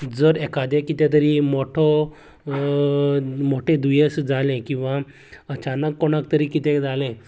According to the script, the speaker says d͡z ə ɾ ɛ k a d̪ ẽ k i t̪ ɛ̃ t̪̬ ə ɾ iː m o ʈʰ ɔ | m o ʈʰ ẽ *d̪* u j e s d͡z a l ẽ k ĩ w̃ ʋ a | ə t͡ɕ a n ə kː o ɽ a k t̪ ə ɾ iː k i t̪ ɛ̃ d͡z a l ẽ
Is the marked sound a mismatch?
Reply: no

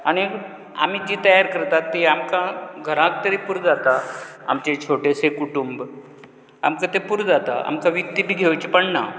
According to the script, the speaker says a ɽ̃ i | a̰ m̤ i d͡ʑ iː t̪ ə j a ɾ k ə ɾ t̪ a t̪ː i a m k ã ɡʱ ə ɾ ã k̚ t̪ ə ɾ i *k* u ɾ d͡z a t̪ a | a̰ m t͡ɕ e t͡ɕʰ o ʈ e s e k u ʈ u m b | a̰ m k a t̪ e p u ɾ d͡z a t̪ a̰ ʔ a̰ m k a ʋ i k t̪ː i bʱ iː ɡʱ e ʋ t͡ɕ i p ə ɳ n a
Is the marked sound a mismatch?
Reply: yes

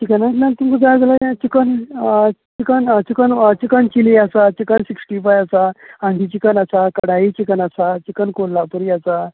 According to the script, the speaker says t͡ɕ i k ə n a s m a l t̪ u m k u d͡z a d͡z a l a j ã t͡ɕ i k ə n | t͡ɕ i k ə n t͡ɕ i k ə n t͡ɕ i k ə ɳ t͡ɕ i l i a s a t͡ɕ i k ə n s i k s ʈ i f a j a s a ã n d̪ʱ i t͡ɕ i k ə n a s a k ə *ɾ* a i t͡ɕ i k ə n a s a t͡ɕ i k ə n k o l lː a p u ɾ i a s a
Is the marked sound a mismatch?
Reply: yes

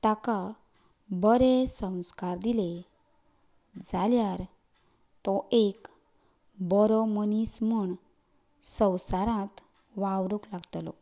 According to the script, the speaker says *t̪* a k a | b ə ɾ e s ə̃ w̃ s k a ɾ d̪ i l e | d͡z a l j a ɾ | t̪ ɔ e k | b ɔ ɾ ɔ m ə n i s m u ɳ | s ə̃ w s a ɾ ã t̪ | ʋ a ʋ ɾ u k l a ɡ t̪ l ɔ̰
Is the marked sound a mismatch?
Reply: no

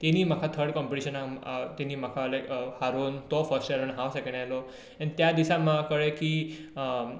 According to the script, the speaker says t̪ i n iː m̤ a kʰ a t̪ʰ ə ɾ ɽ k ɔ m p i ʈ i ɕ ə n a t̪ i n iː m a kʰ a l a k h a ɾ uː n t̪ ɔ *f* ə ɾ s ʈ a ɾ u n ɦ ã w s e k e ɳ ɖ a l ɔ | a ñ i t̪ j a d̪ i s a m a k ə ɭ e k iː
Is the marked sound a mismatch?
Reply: no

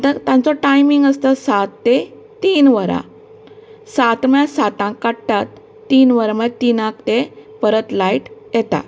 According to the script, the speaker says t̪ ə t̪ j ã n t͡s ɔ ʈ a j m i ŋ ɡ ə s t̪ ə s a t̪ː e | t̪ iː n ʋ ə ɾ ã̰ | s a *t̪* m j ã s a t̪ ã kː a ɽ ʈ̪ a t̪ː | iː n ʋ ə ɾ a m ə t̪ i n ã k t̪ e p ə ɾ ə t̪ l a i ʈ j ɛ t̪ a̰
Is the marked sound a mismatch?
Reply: no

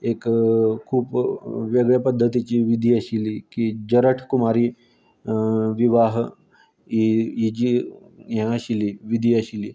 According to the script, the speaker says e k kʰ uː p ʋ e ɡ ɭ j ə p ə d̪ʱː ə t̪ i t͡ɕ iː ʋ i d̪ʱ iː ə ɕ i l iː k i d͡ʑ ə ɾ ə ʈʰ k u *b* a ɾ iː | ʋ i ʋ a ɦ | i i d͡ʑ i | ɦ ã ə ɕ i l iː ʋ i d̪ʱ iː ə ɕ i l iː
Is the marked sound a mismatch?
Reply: yes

